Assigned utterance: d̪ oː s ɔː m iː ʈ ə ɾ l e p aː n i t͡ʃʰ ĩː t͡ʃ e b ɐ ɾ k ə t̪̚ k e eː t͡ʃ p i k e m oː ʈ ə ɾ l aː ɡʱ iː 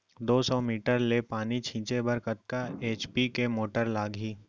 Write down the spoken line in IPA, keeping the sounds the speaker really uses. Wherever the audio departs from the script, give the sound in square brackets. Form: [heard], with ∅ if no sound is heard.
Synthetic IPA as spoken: d̪ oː s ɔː m iː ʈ ə ɾ l e p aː n i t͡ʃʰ ĩː t͡ʃ e b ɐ ɾ k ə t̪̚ k [a] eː t͡ʃ p i k e m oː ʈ ə ɾ l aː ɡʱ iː